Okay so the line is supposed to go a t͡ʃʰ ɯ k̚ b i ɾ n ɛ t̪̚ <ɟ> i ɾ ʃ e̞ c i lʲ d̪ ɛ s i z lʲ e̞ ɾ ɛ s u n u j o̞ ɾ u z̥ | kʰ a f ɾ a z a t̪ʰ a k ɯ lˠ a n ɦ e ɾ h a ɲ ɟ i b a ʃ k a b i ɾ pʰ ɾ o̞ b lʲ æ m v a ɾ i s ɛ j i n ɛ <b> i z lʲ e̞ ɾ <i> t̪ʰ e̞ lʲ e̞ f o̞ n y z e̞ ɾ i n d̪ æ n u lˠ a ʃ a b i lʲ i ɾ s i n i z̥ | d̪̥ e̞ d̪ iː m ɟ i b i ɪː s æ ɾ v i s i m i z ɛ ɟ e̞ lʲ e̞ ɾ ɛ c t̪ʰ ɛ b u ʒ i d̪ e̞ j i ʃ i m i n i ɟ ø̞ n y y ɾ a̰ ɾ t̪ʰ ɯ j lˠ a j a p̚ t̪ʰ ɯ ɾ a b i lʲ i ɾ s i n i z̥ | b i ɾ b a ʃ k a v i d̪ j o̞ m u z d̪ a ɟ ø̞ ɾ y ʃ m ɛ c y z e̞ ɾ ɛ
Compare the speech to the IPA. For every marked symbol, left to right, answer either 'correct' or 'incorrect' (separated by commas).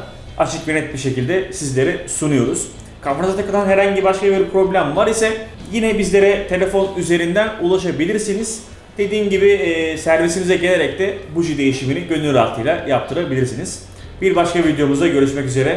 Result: incorrect, correct, incorrect